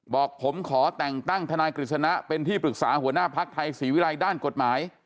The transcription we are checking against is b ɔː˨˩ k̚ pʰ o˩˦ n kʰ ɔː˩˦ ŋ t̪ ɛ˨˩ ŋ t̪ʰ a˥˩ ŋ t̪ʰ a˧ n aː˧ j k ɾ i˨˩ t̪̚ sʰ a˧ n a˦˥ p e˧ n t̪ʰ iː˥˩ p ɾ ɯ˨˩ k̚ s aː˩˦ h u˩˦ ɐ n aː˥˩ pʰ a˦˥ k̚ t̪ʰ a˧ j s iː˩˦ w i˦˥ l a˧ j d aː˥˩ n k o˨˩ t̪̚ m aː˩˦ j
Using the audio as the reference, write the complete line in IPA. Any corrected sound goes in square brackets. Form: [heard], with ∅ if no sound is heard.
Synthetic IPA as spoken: b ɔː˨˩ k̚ pʰ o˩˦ [m] kʰ ɔː˩˦ [∅] t̪ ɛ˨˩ ŋ [t̪] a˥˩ ŋ t̪ʰ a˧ n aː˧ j k ɾ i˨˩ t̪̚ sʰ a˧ n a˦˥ p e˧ n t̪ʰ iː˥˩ p ɾ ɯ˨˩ k̚ s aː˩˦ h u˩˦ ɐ n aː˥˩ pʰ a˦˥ k̚ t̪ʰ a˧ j s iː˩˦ w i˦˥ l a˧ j d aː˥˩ n k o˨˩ t̪̚ m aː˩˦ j